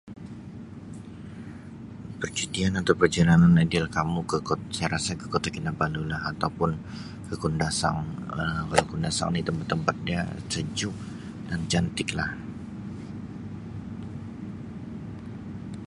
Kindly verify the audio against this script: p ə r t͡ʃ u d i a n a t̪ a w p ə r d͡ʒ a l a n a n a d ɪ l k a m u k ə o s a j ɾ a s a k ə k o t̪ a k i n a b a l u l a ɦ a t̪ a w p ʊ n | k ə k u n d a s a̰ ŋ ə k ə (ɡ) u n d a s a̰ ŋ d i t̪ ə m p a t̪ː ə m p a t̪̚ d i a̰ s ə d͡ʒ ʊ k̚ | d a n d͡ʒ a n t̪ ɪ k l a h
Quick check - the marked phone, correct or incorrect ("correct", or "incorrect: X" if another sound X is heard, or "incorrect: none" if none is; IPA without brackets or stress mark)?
incorrect: k